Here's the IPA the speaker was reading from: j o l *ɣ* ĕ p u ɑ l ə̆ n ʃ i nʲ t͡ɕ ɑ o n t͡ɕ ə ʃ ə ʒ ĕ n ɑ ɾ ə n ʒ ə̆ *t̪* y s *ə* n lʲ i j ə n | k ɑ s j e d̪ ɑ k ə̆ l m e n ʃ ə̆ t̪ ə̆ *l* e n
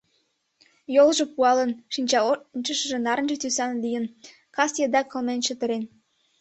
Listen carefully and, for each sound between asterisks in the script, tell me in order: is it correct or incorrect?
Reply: incorrect: ʒ, correct, incorrect: ɑ, incorrect: ɾ

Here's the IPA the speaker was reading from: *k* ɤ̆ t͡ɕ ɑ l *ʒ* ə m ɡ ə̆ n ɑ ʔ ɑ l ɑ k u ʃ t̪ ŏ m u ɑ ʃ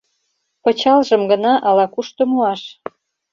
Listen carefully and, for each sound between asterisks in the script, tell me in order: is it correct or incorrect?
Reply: incorrect: p, correct

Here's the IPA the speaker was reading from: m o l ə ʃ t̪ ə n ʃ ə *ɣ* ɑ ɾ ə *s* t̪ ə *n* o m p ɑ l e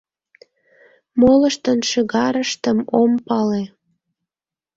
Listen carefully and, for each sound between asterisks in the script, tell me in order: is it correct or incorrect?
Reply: correct, incorrect: ʃ, incorrect: m

